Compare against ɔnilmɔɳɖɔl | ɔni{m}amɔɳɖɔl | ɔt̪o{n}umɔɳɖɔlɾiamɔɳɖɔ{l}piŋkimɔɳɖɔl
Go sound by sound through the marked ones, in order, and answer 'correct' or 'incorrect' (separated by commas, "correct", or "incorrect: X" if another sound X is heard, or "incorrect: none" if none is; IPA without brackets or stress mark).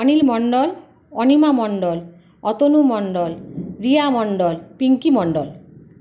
correct, correct, correct